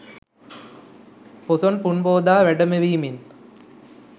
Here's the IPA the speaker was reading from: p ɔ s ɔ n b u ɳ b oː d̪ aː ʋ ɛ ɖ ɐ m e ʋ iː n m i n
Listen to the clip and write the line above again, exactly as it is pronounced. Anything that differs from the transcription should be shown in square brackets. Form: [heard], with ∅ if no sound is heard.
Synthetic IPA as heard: p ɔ s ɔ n [p] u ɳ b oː d̪ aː ʋ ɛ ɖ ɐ m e ʋ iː [∅] m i n